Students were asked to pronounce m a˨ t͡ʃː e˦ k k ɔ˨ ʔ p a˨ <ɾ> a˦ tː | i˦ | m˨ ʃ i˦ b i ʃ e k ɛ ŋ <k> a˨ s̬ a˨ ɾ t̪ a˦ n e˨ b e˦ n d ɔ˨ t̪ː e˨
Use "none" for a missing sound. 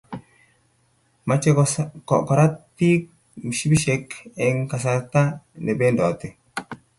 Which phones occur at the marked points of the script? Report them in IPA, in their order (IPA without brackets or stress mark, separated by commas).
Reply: ɾ, k